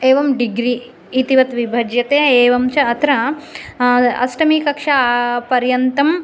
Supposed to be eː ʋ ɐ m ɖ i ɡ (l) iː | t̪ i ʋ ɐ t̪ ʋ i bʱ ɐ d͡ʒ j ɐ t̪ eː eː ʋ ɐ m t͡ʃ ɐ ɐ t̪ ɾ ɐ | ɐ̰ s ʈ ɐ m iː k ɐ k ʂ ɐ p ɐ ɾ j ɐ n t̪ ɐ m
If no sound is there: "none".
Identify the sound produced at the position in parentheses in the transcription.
ɾ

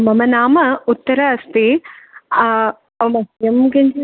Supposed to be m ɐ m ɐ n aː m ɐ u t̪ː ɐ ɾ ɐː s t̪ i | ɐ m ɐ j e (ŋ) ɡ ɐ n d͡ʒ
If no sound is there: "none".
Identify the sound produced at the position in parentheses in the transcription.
m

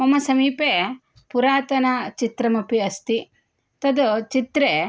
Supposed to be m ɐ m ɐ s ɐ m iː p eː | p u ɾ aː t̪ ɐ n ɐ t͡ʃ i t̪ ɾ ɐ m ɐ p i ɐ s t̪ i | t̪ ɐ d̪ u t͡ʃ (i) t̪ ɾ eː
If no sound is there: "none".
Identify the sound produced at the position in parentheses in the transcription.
i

